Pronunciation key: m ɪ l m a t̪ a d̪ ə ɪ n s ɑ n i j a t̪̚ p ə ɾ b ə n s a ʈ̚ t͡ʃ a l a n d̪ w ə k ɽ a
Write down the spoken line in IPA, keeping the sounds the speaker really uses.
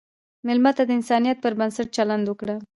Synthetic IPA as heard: m ɪ l m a t̪ a d̪ ə ɪ n s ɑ n i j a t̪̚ p ə ɾ b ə n s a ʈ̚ t͡ʃ a l a n d̪ w ə k ɽ a